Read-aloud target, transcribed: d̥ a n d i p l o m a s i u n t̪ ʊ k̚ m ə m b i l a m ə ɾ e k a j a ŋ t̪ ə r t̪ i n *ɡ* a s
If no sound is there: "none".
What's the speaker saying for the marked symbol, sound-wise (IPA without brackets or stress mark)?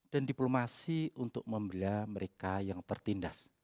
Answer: d